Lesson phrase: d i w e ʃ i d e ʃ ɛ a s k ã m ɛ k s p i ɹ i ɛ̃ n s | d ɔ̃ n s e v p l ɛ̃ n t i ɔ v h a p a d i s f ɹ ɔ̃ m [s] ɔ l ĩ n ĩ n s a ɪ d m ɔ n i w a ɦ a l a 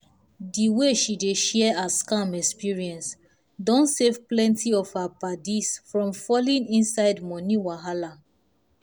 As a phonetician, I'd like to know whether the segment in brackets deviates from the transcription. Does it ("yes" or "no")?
yes